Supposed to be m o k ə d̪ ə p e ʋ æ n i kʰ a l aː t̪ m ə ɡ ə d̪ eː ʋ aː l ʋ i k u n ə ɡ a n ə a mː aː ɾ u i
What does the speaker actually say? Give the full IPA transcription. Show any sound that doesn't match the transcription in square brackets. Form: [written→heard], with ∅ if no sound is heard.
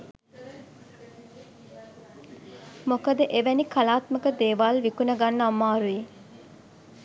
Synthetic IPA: m o k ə d̪ ə [p→ʔ] e ʋ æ n i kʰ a l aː t̪ m ə [ɡ→k] ə d̪ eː ʋ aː l ʋ i k u n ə ɡ a [n→nː] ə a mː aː ɾ u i